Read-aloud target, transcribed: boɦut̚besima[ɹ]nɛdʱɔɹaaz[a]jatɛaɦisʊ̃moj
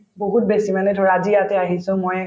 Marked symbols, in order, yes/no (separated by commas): no, no